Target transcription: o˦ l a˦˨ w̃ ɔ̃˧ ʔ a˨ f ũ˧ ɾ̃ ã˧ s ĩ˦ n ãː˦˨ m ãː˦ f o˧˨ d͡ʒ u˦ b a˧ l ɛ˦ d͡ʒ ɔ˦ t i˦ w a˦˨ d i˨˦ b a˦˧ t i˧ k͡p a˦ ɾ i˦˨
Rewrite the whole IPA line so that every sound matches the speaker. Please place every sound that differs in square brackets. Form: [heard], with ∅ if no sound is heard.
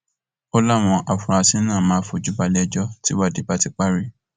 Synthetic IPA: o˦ l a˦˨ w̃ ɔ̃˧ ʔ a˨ f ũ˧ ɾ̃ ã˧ s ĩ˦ n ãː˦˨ m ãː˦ f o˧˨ d͡ʒ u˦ b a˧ l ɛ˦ d͡ʒ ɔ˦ t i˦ w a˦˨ d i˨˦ b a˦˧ t i˧ k͡p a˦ ɾ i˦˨